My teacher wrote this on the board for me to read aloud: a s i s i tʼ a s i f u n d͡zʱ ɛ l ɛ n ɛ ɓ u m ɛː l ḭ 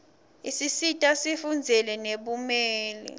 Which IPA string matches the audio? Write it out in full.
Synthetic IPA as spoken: i s i s i tʼ a s i f u n d͡zʱ ɛ l ɛ n e ɓ u m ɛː l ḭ